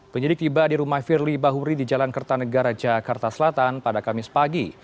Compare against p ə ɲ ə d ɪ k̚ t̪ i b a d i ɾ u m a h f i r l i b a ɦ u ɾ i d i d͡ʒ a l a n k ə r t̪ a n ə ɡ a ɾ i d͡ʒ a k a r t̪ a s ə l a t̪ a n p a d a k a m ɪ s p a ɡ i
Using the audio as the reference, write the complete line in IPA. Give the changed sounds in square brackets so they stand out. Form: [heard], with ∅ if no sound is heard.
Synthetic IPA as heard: p ə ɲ ə d ɪ k̚ t̪ i b a d i ɾ u m a h f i r l i b a ɦ u ɾ i d i d͡ʒ a l a n k ə r t̪ a n ə ɡ a ɾ [a] d͡ʒ a k a r t̪ a s ə l a t̪ a n p a d a k a m ɪ s p a ɡ i